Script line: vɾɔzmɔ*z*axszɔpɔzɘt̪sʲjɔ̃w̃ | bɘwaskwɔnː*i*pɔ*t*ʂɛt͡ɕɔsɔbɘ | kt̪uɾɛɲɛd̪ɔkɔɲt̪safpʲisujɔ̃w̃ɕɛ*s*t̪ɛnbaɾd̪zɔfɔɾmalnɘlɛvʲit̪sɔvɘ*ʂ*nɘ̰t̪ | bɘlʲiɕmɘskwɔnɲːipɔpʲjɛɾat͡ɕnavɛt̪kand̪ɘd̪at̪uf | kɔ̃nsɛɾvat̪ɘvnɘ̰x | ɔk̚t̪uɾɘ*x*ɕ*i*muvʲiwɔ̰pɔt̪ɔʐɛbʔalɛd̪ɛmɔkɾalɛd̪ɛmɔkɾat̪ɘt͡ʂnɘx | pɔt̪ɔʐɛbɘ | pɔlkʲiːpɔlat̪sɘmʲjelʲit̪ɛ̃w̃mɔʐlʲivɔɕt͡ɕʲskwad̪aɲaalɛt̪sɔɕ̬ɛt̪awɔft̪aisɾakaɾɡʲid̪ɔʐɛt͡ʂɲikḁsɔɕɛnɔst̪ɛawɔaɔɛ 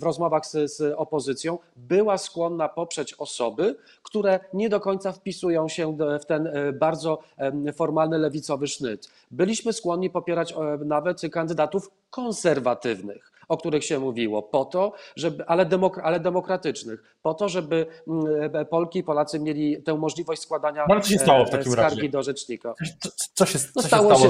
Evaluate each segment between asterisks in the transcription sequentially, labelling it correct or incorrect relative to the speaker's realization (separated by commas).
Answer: incorrect, incorrect, incorrect, incorrect, correct, correct, incorrect